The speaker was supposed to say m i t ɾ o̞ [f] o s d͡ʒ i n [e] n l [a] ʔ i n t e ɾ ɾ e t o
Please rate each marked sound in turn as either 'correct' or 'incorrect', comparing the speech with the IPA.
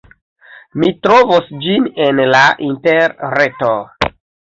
incorrect, correct, correct

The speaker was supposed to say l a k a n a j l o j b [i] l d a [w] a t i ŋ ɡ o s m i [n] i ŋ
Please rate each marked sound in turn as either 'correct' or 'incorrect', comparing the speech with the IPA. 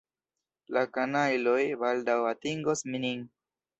incorrect, correct, correct

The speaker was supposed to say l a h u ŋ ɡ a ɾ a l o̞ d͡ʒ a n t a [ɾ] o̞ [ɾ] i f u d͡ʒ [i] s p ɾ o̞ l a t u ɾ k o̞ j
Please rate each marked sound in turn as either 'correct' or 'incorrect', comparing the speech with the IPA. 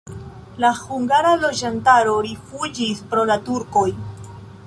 correct, correct, correct

